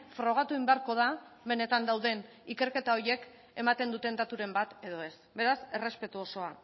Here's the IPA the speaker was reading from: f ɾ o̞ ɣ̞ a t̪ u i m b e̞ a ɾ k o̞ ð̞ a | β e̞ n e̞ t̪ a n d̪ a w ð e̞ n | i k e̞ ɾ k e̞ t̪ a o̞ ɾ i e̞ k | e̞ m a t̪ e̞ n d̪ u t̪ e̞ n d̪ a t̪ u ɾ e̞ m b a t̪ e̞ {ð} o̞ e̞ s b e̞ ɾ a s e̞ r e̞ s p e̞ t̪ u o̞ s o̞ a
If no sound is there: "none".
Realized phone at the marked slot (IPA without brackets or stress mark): ð